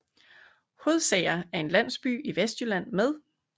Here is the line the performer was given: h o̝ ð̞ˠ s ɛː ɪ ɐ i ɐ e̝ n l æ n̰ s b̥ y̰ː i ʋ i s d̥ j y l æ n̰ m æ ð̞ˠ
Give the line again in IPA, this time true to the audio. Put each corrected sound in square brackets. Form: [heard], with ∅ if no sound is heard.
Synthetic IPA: h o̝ ð̞ˠ s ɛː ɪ ɐ [æ] ɐ e̝ n l æ n̰ s b̥ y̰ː i ʋ [e] s d̥ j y l æ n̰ m [e] ð̞ˠ

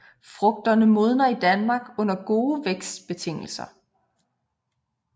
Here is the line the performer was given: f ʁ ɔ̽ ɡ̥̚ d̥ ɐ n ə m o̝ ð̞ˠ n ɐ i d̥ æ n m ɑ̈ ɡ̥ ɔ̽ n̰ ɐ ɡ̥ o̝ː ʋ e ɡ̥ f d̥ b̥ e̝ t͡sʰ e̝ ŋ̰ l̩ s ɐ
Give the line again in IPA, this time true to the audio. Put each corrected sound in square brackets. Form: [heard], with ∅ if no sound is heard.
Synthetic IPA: f ʁ ɔ̽ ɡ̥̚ d̥ ɐ n ə m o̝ ð̞ˠ n ɐ i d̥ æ n m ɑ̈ ɡ̥ ɔ̽ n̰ ɐ ɡ̥ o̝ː ʋ e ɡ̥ [s] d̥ b̥ e̝ t͡sʰ e̝ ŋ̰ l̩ s ɐ

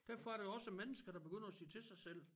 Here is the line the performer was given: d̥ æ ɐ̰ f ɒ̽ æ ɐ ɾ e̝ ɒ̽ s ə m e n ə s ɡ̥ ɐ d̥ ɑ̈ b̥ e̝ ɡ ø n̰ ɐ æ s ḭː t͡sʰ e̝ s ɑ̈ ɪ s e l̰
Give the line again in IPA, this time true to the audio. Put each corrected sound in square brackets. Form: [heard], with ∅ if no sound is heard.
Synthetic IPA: d̥ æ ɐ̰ f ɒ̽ æ ɐ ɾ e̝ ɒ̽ s ə m e n ə s ɡ̥ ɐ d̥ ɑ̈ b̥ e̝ ɡ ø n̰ ɐ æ s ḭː t͡sʰ e̝ s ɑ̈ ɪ s e l̰

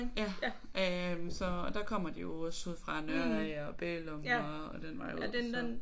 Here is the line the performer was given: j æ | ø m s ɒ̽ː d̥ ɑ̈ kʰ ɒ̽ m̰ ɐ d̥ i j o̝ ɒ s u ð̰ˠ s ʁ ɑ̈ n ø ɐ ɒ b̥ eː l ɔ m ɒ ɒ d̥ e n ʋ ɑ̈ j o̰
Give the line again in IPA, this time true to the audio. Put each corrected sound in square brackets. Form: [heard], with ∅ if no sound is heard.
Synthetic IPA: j æ | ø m s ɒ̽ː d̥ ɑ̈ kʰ ɒ̽ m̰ ɐ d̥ i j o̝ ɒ s u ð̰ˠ [f] ʁ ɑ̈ n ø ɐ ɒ b̥ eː l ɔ m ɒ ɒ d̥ e n ʋ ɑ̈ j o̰

